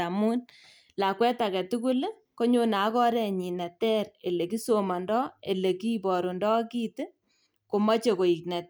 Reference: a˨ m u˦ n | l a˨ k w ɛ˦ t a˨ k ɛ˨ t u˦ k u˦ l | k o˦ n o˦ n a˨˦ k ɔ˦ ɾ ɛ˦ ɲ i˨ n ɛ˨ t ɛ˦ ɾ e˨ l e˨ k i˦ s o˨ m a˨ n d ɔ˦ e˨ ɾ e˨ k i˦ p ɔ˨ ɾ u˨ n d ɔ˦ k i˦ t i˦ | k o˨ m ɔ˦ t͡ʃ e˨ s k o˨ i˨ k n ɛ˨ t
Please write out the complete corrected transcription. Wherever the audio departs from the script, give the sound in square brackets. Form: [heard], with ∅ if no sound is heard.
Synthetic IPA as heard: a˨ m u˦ n | l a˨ k w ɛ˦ t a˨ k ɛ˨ t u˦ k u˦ l | k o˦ [ɲ] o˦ n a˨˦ k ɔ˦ ɾ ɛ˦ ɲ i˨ n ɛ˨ t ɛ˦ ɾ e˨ l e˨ k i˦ s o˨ m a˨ n d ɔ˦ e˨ [l] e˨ k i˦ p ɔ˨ ɾ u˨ n d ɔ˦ k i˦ t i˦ | k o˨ m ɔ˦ t͡ʃ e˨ [∅] k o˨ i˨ k n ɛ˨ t